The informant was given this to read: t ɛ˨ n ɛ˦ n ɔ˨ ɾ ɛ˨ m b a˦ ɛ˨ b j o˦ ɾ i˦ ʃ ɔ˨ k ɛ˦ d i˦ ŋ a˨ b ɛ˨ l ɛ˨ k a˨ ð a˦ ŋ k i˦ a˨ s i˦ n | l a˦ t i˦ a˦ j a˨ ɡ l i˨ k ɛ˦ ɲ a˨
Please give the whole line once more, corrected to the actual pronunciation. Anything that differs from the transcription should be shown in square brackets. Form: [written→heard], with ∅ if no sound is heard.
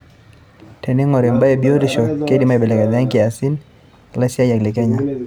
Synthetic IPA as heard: t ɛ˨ n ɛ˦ [n→ŋ] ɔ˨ ɾ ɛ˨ m b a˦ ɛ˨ b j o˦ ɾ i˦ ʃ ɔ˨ k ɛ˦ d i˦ [ŋ→m] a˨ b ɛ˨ l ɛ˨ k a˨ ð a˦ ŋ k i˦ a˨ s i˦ n | l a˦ [t→s] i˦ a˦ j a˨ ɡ l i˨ k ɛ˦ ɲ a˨